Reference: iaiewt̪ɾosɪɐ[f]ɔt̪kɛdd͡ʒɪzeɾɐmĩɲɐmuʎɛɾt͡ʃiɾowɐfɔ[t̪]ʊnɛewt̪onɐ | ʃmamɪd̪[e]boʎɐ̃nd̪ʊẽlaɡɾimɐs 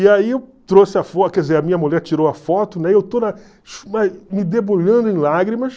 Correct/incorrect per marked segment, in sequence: correct, correct, correct

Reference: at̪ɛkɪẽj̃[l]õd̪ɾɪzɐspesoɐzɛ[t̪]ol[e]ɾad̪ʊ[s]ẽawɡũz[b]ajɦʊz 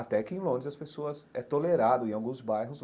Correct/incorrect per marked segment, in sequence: correct, correct, correct, incorrect: none, correct

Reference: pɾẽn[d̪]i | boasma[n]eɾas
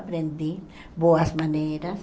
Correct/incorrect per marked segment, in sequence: correct, correct

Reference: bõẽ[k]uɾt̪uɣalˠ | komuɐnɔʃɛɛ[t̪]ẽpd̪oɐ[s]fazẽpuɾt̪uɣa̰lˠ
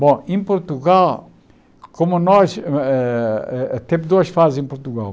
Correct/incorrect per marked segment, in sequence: incorrect: p, correct, incorrect: ʃ

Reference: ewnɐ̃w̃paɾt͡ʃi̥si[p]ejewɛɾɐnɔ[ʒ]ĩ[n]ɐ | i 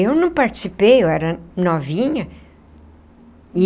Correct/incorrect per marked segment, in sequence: correct, incorrect: v, incorrect: ɲ

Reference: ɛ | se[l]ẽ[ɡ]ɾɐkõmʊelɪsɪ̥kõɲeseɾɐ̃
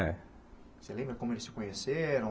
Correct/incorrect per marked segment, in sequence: correct, incorrect: b

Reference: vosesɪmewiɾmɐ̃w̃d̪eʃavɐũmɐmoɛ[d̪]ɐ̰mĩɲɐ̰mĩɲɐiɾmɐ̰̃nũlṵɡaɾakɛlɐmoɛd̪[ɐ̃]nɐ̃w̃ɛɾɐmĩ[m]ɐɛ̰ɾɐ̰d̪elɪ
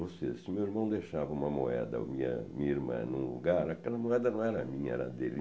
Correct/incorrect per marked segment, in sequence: correct, incorrect: ɐ, incorrect: ɲ

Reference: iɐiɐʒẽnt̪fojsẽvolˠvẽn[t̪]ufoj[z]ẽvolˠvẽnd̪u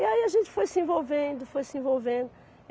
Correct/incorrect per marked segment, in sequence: incorrect: d̪, incorrect: s

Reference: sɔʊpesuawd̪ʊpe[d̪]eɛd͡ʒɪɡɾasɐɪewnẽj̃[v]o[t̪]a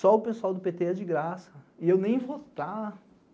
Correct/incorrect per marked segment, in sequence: incorrect: t̪, correct, correct

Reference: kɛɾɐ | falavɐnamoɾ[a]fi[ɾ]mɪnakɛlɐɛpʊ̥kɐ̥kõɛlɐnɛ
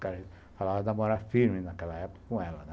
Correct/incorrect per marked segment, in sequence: correct, correct

